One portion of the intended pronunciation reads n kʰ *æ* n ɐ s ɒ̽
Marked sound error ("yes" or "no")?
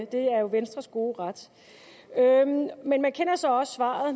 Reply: yes